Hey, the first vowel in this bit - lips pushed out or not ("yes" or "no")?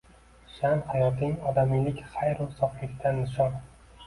no